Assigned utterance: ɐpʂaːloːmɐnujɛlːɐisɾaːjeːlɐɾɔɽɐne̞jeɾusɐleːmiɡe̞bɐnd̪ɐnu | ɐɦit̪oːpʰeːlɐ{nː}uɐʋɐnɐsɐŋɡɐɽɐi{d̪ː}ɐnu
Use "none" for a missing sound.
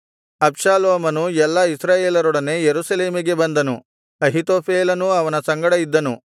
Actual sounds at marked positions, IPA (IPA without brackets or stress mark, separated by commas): n, d̪ː